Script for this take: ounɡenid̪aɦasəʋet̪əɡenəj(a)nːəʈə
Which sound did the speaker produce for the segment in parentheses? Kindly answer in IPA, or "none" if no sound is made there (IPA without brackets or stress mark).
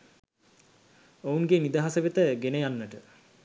a